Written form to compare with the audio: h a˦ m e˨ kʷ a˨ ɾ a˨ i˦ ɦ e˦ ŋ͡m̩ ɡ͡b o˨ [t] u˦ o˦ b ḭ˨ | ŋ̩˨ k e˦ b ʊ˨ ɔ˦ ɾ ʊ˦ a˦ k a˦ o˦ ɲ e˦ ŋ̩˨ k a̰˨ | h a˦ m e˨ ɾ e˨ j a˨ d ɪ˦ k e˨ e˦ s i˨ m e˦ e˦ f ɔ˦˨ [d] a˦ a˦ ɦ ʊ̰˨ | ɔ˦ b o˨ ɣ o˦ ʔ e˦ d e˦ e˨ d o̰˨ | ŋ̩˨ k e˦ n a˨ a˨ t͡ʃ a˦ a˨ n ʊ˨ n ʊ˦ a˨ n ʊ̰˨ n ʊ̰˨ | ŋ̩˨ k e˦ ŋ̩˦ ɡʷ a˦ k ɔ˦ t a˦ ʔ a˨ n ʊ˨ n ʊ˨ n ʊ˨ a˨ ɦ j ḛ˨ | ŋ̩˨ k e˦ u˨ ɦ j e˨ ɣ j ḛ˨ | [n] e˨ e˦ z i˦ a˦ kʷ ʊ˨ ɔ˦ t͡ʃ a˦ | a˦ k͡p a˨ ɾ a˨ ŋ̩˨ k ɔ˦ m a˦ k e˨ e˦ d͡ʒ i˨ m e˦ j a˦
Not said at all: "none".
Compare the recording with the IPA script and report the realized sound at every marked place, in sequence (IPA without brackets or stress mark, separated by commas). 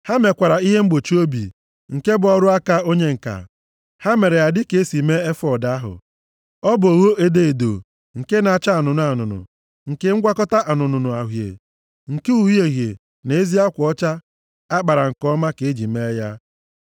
t͡ʃ, d, n